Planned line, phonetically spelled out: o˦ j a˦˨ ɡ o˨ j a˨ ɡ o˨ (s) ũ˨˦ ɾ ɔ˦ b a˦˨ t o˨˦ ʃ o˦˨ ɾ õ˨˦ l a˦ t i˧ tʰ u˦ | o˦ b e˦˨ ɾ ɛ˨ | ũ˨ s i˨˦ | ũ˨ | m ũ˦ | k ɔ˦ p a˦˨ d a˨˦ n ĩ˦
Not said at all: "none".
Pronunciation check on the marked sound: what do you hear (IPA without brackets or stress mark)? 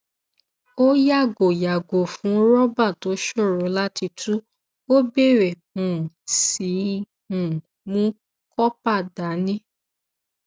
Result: f